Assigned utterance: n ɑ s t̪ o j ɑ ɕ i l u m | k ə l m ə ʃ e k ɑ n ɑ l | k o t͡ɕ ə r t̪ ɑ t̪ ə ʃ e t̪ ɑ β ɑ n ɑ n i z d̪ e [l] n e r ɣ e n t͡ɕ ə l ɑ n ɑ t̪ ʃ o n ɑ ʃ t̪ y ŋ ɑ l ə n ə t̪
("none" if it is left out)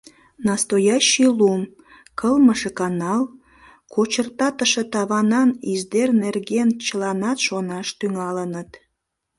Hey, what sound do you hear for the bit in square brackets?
r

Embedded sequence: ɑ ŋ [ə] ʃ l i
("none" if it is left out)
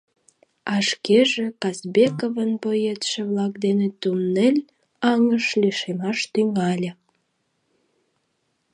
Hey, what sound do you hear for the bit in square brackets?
ə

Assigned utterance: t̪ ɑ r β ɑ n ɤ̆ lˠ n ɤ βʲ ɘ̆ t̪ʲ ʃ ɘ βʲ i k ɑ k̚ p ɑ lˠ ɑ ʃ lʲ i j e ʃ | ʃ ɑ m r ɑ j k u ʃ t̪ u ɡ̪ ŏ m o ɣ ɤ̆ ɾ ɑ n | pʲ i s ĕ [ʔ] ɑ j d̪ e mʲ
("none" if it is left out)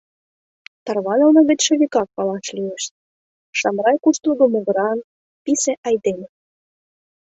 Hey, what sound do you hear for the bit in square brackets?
ʔ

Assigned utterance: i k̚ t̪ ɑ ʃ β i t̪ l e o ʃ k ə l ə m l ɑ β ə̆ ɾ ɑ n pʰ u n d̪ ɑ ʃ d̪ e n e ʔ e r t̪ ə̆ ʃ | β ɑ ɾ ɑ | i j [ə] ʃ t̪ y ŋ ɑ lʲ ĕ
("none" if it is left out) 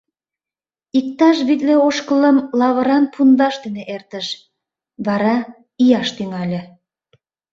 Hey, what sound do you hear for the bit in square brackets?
ɑ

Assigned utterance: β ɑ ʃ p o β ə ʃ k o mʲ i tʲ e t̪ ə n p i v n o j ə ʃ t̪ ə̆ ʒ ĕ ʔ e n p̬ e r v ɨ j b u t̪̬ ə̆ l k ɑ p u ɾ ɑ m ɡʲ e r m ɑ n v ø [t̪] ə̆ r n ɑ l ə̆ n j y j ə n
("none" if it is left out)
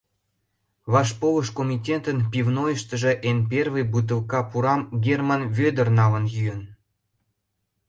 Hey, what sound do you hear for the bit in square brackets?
d̪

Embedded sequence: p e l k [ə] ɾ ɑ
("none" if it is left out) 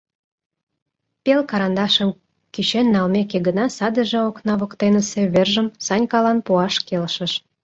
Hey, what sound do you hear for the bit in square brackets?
ɑ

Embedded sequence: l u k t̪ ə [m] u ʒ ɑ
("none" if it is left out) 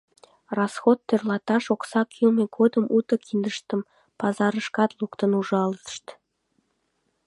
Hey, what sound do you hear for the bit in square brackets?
n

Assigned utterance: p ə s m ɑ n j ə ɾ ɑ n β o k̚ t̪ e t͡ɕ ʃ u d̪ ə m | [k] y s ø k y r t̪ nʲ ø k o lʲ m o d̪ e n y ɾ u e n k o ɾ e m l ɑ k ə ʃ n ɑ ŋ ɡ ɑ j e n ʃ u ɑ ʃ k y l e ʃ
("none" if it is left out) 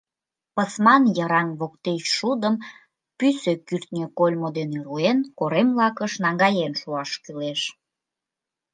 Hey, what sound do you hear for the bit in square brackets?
p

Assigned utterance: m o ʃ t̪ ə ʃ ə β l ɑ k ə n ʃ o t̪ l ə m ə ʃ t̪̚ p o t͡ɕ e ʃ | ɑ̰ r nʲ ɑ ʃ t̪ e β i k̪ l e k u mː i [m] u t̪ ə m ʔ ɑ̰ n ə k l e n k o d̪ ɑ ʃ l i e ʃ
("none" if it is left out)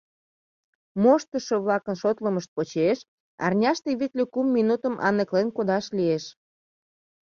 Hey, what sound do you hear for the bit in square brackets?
n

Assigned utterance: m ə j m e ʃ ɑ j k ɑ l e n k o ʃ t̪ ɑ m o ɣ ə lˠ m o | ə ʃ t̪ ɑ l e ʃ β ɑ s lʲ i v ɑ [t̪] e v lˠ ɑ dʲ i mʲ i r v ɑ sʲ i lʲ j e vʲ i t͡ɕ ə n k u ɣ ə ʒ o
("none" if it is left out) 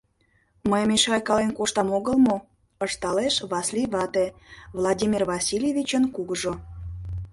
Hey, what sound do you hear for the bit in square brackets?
t̪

